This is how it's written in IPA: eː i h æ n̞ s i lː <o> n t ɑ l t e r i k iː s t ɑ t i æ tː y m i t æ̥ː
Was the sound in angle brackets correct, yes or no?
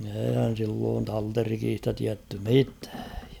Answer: no